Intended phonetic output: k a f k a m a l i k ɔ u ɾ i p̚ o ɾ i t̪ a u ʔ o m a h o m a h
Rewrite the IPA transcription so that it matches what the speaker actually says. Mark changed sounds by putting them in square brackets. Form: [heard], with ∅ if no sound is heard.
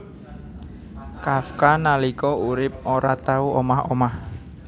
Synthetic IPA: k a f k a [n] a l i k ɔ u ɾ [ɪ] p̚ o ɾ [a] t̪ a u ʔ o m a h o m a h